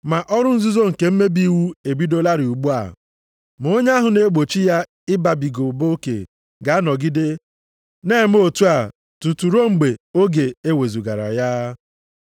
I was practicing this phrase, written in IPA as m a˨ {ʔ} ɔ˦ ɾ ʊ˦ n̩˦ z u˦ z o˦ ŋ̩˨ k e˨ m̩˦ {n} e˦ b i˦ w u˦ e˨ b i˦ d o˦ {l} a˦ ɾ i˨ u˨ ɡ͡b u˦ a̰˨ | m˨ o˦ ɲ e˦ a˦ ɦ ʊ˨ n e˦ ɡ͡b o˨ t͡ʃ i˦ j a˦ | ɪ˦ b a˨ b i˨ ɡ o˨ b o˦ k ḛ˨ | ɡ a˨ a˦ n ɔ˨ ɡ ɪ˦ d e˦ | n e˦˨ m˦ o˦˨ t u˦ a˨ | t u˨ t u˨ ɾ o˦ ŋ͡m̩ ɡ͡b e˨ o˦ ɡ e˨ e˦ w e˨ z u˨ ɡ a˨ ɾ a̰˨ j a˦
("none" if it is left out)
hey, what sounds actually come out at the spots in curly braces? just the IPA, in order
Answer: ʔ, m, l

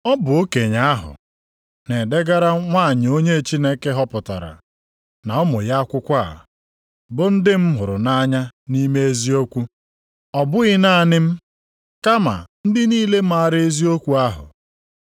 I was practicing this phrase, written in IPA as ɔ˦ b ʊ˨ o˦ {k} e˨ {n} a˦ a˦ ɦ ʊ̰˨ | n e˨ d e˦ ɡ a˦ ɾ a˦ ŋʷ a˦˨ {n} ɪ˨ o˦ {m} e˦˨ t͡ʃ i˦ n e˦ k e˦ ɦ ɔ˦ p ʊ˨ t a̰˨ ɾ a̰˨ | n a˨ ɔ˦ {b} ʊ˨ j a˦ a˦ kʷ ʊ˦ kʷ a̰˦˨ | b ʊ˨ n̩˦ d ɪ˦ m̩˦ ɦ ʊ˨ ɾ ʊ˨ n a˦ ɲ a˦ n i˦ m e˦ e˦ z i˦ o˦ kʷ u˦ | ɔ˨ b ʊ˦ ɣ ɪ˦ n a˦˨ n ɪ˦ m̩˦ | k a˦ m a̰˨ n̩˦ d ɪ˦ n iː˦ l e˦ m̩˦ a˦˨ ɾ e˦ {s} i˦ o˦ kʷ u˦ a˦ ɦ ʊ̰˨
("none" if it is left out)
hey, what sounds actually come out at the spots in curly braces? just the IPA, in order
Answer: k, ɲ, ɲ, ɲ, m, z

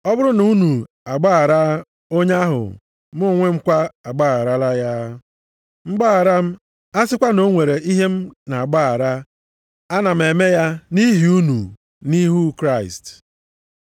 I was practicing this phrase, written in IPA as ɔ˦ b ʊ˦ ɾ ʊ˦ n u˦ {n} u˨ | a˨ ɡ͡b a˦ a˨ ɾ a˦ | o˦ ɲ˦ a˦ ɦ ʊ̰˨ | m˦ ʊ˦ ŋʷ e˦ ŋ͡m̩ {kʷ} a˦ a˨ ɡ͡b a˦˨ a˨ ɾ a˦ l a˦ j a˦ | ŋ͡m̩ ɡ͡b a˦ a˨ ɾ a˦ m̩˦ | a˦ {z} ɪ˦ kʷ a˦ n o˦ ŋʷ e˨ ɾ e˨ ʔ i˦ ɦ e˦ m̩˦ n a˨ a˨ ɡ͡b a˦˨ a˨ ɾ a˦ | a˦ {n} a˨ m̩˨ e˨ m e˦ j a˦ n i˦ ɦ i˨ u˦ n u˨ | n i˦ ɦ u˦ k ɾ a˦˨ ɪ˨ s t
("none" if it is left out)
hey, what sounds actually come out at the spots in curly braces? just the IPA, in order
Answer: n, kʷ, s, n

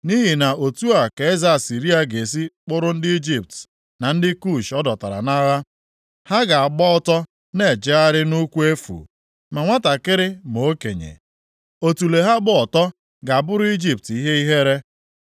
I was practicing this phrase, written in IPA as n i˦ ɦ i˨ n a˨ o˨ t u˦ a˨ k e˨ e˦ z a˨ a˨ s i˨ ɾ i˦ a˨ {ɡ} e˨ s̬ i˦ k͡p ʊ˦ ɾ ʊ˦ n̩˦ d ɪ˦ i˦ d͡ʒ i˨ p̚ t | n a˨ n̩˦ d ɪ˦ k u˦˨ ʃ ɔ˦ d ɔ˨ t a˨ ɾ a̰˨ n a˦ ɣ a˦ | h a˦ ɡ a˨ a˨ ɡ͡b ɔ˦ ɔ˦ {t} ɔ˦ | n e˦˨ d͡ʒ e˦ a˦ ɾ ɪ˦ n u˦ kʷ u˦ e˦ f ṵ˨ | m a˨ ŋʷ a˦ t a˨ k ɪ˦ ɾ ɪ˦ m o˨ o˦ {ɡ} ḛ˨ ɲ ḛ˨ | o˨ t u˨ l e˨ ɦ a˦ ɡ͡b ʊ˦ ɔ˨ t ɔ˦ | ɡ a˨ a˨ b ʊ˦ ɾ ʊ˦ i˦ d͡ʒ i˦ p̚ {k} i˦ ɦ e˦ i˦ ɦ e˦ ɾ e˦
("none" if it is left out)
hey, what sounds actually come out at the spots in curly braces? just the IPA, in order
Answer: ɡ, t, k, t

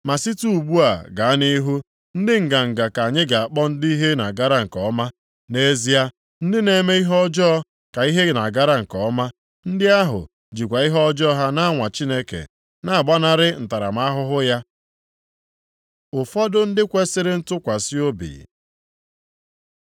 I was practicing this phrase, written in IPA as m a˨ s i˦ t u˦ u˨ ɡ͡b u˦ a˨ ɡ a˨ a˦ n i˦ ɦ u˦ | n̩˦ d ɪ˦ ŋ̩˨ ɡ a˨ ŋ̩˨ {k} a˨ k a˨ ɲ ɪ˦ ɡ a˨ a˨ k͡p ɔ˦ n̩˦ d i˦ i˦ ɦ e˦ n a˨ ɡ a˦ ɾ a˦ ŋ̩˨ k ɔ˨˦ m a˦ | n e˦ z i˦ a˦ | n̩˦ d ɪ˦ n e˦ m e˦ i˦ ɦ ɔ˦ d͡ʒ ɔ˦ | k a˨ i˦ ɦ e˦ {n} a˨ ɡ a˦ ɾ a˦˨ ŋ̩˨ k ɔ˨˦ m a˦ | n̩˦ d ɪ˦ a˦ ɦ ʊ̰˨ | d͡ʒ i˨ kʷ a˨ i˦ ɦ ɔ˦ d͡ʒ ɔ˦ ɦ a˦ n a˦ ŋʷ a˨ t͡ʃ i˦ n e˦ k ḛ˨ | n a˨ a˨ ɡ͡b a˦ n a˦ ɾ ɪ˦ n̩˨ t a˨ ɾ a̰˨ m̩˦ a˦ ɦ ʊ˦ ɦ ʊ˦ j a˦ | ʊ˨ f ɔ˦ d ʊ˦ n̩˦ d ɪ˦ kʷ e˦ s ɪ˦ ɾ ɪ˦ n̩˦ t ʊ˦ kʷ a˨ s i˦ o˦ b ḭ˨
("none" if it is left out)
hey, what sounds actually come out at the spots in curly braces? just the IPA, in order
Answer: ɡ, n

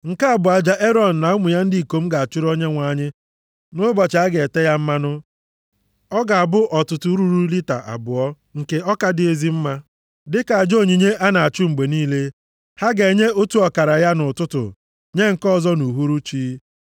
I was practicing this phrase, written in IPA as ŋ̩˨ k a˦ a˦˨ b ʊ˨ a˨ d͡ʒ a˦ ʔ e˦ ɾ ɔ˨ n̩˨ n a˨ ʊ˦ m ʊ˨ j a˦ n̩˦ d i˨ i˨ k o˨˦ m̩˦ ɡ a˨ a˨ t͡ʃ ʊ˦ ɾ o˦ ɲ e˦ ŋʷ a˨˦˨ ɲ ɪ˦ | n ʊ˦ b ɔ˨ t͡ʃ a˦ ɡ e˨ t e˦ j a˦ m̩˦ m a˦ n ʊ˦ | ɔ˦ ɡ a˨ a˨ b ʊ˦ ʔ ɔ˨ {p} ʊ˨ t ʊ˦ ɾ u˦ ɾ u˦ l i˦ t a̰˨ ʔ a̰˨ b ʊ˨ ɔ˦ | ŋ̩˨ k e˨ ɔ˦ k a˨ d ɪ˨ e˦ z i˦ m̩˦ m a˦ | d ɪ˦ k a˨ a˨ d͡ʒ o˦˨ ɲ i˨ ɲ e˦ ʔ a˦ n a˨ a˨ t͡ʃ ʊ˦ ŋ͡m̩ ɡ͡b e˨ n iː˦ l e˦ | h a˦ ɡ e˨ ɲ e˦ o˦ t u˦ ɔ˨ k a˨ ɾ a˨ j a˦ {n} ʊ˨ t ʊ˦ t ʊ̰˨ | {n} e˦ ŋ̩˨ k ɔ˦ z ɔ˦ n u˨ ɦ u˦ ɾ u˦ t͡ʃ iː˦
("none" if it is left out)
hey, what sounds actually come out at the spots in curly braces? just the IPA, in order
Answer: t, n, ɲ

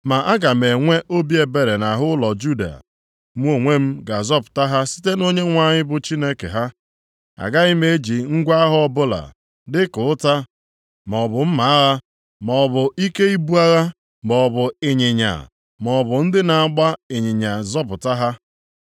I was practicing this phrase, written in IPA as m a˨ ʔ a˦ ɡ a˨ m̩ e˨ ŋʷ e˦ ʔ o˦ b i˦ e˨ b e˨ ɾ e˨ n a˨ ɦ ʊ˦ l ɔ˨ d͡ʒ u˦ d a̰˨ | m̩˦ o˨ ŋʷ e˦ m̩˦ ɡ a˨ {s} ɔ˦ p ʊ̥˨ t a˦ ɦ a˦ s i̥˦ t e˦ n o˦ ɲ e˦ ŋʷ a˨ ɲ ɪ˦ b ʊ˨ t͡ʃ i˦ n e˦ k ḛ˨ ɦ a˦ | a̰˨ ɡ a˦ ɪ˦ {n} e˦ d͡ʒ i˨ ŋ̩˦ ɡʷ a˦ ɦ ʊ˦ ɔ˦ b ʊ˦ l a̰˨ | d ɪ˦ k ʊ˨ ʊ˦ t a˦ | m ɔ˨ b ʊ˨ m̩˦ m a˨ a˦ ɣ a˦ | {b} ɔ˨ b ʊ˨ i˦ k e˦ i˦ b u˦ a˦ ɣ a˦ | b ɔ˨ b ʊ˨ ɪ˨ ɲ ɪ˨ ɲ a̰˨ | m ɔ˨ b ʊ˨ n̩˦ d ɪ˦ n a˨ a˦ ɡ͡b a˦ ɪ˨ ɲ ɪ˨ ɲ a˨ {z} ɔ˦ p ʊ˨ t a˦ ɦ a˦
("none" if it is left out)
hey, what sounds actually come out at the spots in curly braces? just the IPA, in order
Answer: z, m, m, z

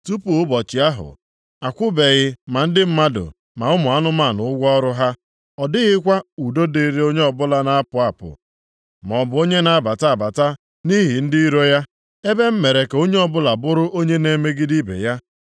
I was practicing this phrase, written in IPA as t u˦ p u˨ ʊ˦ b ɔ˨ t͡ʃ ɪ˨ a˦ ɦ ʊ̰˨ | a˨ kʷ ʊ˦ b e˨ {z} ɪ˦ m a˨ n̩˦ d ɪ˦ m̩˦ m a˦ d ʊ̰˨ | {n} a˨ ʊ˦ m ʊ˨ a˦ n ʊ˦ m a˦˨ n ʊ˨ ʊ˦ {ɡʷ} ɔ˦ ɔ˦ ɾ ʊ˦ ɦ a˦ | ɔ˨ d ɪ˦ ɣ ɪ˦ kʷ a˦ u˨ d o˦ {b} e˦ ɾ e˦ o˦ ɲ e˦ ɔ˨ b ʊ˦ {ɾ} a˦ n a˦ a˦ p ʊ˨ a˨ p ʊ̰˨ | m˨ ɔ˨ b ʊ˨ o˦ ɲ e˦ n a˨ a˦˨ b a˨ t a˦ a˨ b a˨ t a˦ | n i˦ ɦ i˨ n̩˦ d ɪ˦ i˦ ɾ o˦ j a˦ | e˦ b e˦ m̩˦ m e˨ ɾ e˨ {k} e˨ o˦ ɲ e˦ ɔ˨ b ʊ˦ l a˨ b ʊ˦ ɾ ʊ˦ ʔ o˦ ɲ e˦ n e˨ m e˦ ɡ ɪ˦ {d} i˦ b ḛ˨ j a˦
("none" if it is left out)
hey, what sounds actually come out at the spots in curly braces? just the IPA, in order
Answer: ɣ, m, ɡʷ, d, l, k, d

